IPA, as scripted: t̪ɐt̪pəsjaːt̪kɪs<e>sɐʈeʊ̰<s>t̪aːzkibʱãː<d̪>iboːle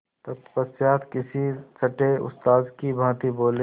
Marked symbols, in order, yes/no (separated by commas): no, yes, no